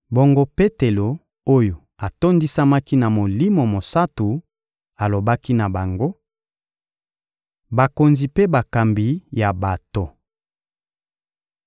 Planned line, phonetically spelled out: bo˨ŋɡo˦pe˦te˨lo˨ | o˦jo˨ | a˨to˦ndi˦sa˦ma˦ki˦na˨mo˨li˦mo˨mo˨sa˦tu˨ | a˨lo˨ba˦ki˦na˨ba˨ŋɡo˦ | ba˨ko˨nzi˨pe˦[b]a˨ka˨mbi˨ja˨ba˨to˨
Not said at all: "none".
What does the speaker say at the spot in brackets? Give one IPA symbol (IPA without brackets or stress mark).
b